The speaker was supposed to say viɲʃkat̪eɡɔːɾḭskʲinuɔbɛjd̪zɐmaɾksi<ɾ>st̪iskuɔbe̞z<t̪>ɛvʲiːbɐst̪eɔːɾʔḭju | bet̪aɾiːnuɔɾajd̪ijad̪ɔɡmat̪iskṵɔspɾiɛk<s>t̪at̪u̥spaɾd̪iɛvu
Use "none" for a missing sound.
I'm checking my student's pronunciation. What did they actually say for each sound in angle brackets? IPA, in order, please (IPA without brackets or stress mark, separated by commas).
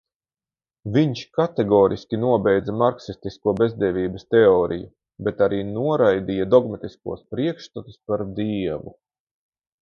none, d̪, ʃ